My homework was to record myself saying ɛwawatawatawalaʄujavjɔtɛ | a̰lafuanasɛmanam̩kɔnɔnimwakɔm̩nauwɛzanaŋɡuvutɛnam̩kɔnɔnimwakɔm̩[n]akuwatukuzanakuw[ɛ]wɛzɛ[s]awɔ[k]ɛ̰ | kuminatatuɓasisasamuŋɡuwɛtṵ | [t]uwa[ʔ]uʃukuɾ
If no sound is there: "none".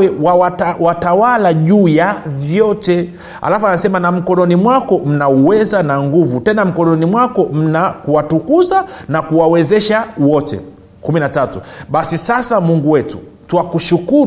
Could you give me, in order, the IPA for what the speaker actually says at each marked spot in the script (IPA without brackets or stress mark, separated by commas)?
n, a, ʃ, t, t, k